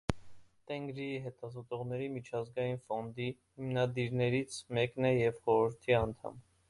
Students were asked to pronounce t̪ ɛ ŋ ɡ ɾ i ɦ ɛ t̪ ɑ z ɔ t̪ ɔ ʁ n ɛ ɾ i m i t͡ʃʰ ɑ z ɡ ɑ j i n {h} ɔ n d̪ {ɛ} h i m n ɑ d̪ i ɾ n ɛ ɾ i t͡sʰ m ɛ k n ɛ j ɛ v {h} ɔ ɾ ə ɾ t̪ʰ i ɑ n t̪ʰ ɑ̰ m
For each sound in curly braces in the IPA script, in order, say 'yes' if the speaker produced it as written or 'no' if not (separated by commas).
no, no, no